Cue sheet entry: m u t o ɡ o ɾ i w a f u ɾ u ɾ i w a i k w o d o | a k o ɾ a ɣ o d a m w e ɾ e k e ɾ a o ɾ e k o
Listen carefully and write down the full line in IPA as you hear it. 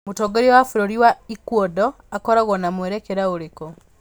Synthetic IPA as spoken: m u t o ɡ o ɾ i w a f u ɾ o ɾ i w a i k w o d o | a k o ɾ a ɣ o n a m w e ɾ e k e ɾ a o ɾ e k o